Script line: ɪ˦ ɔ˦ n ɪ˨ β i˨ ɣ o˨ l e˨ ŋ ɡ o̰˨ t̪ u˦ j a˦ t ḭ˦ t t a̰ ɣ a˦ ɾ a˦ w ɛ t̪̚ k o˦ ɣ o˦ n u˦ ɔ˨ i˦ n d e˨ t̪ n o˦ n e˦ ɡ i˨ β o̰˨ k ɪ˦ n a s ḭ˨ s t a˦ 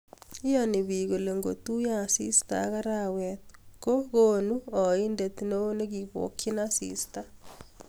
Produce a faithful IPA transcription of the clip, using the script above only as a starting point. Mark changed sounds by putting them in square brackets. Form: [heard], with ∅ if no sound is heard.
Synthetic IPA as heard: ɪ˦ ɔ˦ n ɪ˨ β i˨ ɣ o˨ l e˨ ŋ ɡ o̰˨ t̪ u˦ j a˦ [s] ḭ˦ [s] t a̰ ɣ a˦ ɾ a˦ w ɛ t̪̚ k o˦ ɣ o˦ n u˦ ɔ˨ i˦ n d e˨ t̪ n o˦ n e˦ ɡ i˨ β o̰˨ k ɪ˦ n a s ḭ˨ s t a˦